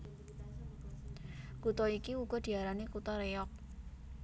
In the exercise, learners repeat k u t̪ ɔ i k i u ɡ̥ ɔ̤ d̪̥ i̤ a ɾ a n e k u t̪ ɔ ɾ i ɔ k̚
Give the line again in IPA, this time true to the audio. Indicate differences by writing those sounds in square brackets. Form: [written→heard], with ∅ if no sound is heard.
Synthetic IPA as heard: k u t̪ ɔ i k i u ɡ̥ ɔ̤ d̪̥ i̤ a ɾ a n e k u t̪ ɔ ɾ [i→e] ɔ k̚